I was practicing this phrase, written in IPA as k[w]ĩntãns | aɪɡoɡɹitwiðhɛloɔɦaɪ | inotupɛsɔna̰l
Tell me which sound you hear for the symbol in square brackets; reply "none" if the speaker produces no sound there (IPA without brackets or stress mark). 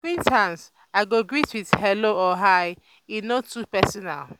w